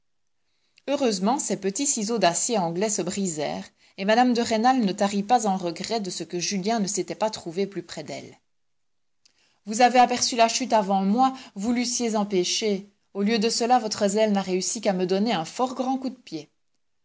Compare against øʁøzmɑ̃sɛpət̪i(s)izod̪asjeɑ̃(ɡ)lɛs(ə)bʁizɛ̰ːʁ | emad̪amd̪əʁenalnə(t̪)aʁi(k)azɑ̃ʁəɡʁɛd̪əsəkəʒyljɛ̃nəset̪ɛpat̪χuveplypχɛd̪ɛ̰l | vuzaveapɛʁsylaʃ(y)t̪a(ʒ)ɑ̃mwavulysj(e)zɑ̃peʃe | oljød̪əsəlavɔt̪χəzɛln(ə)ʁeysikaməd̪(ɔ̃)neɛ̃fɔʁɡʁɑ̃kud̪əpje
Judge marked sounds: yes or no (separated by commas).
yes, yes, yes, yes, no, yes, no, yes, no, no